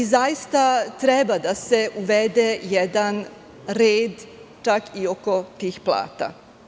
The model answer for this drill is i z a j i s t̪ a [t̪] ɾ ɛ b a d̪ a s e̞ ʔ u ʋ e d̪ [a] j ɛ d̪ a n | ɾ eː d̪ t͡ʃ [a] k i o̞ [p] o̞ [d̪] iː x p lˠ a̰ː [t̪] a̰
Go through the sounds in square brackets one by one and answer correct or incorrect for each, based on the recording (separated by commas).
correct, incorrect, correct, incorrect, incorrect, correct